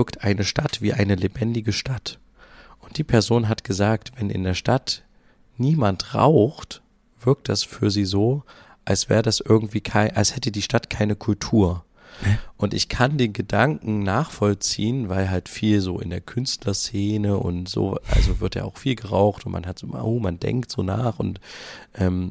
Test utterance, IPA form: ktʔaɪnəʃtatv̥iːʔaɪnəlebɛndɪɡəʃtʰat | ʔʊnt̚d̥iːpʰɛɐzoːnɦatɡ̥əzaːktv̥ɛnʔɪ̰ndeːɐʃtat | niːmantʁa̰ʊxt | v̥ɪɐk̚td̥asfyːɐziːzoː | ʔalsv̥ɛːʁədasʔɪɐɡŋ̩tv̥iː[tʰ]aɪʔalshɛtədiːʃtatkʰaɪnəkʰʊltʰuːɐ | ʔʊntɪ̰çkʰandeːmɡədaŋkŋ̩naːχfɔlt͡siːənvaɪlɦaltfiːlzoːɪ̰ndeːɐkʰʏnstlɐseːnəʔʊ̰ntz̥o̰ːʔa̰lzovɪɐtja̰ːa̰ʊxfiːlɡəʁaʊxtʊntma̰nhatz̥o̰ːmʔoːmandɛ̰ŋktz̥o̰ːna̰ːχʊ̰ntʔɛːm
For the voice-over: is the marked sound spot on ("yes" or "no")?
no